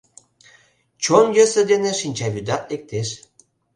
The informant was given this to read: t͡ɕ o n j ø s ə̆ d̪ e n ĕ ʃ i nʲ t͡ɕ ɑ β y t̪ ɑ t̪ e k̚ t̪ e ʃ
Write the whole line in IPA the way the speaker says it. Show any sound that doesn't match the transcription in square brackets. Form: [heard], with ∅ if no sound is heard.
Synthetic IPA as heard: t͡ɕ o n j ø s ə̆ d̪ e n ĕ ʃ i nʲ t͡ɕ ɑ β y [d̪] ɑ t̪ e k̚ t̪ e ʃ